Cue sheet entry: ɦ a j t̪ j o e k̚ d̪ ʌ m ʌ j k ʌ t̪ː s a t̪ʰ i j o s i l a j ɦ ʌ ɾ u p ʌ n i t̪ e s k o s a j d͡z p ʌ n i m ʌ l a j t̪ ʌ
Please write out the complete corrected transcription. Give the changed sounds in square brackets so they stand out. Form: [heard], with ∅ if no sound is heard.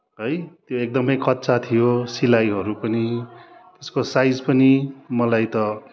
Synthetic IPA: ɦ [ʌ] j t̪ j o e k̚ d̪ ʌ m ʌ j k ʌ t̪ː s a t̪ʰ i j o s i l a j ɦ ʌ ɾ u p ʌ n i t̪ e s k o s a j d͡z p ʌ n i m ʌ l a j t̪ ʌ